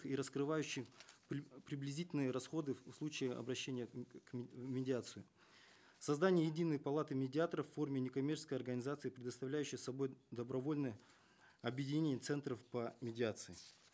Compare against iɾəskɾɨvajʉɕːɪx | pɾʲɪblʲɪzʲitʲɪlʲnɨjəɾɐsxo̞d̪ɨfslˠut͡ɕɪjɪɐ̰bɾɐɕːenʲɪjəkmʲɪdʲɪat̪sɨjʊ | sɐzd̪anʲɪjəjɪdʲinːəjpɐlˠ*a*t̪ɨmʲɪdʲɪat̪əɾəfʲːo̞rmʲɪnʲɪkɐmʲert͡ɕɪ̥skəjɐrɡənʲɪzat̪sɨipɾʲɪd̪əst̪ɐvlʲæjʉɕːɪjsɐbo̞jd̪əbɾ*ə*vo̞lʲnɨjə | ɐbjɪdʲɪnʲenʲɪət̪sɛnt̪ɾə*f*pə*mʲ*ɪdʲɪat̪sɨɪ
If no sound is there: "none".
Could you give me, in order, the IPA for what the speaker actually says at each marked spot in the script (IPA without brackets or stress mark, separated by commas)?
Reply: a, ɐ, f, mʲ